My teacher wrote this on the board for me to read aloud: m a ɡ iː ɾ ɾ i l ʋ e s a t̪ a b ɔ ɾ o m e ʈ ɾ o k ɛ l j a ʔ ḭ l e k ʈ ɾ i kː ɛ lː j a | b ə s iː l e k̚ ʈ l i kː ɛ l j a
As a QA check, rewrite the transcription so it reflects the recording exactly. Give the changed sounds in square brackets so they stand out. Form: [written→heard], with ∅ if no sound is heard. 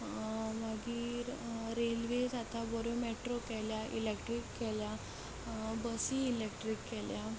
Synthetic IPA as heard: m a ɡ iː ɾ ɾ [i→e] l ʋ e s a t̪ a b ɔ ɾ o m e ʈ ɾ o k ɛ l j a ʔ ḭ l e k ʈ ɾ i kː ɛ [lː→l] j a | b ə s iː l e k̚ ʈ [l→ɾ] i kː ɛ l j a